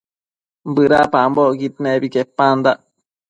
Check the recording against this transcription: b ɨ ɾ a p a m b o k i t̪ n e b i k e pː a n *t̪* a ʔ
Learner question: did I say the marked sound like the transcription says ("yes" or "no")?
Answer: no